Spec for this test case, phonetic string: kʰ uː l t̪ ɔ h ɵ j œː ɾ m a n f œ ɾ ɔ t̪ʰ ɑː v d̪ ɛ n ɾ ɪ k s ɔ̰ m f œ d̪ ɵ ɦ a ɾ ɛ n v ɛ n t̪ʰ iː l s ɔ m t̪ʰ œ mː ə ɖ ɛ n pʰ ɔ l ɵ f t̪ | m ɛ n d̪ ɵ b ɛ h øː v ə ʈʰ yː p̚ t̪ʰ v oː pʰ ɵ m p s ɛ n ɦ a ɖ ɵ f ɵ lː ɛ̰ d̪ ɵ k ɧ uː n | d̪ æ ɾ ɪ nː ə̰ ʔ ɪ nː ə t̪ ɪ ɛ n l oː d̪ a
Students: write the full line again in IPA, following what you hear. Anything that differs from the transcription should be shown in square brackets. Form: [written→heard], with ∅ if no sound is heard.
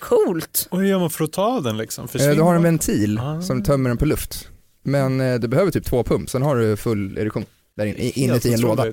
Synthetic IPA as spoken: kʰ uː l t̪ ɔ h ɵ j œː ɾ m a n f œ ɾ ɔ t̪ʰ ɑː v d̪ ɛ n [ɾ→l] ɪ k s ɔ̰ m f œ d̪ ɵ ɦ a ɾ ɛ n v ɛ n t̪ʰ iː l s ɔ m t̪ʰ œ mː ə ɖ ɛ n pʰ ɔ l ɵ f t̪ | m ɛ n d̪ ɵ b ɛ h øː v ə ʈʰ yː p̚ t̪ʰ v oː pʰ ɵ m p s ɛ n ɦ a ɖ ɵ f ɵ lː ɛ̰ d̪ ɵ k ɧ uː n | d̪ æ ɾ ɪ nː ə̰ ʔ ɪ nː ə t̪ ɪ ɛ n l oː d̪ a